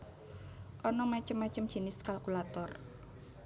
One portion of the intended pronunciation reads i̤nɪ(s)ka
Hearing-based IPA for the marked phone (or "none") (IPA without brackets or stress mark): s